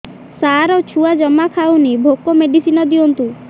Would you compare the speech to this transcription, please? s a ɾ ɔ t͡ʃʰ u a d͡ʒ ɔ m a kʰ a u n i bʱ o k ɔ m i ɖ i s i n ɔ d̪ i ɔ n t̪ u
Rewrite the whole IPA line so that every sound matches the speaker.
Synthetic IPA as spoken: s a ɾ ɔ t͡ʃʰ u a d͡ʒ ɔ m a kʰ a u n i bʱ o k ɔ m e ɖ i s i n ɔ d̪ i ɔ n t̪ u